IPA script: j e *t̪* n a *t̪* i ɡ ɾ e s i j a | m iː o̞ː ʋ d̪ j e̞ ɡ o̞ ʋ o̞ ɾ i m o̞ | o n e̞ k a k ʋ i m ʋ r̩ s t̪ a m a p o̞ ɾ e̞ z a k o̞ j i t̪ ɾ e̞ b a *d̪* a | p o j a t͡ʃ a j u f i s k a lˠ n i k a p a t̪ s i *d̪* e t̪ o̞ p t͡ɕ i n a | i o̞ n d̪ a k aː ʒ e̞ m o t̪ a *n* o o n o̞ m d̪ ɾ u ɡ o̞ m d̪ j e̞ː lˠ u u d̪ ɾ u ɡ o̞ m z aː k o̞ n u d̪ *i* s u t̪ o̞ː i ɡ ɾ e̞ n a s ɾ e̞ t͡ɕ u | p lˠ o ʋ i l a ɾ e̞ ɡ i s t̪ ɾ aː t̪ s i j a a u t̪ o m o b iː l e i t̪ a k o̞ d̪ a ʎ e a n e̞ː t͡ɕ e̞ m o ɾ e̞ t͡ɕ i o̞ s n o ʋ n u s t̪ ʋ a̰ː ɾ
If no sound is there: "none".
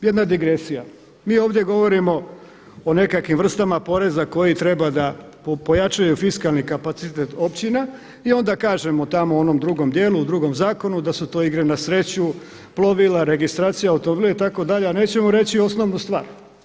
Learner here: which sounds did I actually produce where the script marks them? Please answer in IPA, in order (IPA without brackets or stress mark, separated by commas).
d̪, d̪, d̪, t̪, m, a